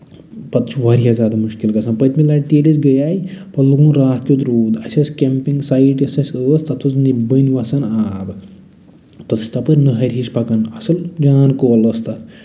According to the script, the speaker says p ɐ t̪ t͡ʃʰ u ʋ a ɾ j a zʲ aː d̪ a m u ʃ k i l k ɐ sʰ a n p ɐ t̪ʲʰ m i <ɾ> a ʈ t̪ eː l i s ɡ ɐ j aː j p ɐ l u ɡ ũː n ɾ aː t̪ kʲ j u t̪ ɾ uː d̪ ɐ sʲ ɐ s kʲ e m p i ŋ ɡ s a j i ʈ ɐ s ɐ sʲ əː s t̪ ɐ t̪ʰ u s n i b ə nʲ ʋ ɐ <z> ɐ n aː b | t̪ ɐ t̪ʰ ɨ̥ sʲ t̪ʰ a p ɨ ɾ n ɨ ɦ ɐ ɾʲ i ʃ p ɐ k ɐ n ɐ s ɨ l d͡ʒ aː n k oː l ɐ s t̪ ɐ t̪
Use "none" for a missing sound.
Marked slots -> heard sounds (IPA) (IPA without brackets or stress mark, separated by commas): l, s